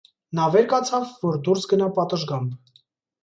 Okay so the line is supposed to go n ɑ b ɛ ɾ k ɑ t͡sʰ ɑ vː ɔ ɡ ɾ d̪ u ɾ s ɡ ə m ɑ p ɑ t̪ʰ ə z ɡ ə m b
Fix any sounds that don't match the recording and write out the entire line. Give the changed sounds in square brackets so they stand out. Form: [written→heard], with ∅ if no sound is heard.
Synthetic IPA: n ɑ [b→v] ɛ ɾ k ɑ t͡sʰ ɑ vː ɔ [ɡ→∅] ɾ d̪ u ɾ s ɡ ə [m→n] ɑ p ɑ [t̪ʰ→t̪] ə [z→ʒ] ɡ [ə→ɑ] m b